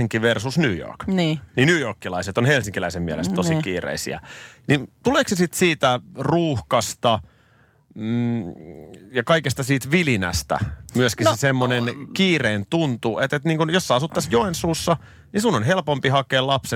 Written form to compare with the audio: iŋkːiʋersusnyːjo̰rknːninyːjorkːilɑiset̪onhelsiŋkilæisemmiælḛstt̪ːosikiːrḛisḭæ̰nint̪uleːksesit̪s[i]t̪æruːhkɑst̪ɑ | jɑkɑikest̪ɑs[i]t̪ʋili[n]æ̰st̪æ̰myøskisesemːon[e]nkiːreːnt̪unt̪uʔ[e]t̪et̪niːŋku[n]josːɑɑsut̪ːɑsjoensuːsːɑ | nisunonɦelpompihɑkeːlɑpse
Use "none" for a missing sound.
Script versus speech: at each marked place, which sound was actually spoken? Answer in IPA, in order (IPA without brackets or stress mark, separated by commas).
iː, iː, n, e, e, n